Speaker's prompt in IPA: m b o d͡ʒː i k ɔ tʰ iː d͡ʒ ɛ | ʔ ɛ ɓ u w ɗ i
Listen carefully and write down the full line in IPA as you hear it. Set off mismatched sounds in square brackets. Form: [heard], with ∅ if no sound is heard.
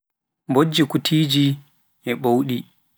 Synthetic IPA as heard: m b o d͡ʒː i k [u] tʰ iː d͡ʒ [i] | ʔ ɛ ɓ [o] w ɗ i